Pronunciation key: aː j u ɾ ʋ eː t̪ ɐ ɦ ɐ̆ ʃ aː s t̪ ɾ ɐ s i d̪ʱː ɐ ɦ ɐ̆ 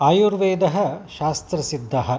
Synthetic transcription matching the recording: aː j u ɾ ʋ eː d̪ ɐ ɦ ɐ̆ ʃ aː s t̪ ɾ ɐ s i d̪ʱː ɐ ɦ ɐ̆